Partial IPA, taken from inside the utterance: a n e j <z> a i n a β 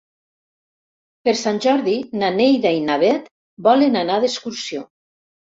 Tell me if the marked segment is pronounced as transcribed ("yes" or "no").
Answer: no